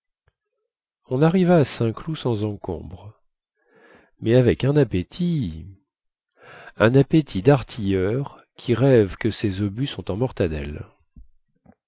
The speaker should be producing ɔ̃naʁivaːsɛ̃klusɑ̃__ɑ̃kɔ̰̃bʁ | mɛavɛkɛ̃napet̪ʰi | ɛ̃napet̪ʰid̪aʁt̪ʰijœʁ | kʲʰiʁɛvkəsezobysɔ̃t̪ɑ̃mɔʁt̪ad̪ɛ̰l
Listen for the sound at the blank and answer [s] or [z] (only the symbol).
z